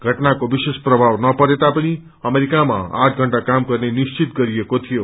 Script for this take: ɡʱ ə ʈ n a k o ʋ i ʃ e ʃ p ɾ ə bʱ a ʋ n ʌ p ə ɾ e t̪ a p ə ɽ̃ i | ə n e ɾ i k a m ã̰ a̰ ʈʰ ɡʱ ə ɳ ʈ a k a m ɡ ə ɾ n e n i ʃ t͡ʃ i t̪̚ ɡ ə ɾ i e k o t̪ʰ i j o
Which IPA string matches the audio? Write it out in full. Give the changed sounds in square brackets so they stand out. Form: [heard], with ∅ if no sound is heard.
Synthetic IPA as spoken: ɡʱ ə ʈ n a k o ʋ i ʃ e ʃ p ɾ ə bʱ a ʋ n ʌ p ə ɾ e t̪ a p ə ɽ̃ i | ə [m] e ɾ i k a m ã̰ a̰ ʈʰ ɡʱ ə ɳ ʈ a k a m [k] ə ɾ n e n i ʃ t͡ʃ i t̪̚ ɡ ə ɾ i e k o t̪ʰ i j o